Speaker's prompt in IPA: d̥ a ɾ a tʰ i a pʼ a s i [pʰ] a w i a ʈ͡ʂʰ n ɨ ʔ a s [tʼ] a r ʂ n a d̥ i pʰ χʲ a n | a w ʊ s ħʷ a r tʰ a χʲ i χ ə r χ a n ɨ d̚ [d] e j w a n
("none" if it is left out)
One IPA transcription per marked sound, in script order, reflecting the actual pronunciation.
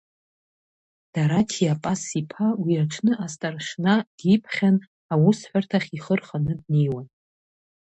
pʰ, tʼ, n

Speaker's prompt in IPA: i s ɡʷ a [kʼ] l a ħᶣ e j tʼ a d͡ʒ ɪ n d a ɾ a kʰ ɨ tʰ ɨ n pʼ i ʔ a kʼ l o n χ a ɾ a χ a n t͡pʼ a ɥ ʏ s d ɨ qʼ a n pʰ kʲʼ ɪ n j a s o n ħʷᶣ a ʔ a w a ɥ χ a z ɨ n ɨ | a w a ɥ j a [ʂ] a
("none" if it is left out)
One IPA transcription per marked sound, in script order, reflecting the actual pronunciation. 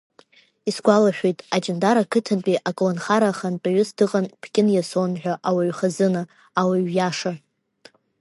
none, ʂ

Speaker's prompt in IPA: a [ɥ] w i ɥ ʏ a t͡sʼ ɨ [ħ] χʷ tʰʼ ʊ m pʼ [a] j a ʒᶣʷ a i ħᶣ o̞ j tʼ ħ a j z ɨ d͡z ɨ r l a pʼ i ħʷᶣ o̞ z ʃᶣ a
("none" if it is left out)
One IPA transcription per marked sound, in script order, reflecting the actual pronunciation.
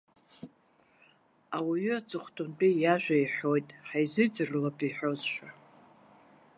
none, none, i

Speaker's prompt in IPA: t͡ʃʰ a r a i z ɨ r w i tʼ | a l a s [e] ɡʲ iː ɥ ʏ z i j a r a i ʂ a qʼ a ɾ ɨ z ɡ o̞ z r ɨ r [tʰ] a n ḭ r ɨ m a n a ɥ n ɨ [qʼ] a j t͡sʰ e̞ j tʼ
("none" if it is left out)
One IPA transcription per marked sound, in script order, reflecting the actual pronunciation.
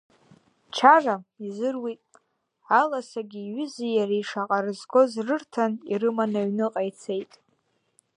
a, tʰ, qʼ

